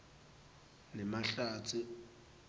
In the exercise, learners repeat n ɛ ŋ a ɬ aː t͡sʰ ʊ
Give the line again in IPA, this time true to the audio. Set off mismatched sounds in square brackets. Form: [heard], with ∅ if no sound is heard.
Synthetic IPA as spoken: n ɛ [m] a ɬ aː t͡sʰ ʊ